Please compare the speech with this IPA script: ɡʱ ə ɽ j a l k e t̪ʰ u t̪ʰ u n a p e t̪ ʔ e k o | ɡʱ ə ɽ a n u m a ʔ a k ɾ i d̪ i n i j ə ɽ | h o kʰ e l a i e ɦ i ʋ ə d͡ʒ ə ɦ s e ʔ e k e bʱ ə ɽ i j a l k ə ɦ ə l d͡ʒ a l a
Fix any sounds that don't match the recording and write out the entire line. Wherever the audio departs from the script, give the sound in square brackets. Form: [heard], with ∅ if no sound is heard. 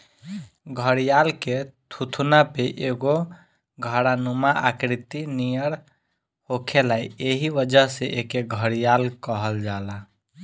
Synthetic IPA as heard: ɡʱ ə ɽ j a l k e t̪ʰ u t̪ʰ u n a p e [∅] ʔ e [ɡ] o | ɡʱ ə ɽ a n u m a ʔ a k ɾ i [t̪] i n i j ə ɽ | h o kʰ e l a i e ɦ i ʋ ə d͡ʒ ə ɦ s e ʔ e k e [ɡʱ] ə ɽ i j a l k ə ɦ ə l d͡ʒ a l a